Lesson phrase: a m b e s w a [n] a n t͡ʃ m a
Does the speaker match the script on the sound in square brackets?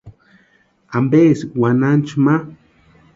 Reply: yes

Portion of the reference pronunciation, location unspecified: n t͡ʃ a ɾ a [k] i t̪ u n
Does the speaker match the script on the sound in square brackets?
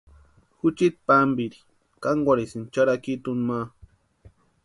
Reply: yes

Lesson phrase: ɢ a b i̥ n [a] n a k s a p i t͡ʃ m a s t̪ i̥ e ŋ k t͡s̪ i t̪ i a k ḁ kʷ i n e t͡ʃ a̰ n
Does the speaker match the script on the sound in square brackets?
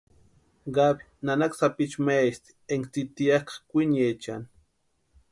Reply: yes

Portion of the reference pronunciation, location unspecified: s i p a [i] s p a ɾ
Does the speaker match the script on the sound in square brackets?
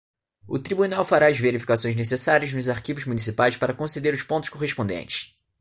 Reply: no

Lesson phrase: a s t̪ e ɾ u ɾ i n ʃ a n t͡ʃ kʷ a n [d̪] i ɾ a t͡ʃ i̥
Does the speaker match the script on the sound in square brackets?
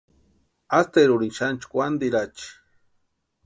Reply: yes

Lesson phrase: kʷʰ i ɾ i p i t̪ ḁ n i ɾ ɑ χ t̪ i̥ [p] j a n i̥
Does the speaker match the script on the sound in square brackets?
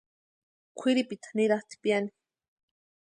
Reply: yes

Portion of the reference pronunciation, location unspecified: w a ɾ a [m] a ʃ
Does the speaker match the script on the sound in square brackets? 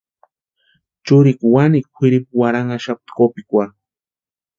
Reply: no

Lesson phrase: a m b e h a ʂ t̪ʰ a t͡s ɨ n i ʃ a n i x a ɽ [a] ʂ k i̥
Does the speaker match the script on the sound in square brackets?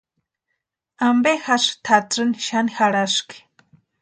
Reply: yes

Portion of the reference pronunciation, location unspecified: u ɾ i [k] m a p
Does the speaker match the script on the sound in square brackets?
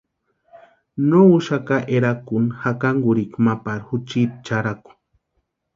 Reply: yes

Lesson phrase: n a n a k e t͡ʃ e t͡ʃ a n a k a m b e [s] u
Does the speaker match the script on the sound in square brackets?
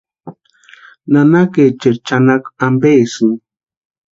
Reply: yes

